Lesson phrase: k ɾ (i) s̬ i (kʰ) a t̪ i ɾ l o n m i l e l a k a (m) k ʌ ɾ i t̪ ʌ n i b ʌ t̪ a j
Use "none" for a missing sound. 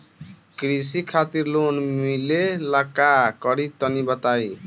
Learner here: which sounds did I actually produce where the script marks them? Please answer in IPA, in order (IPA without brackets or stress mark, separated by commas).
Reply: i, kʰ, none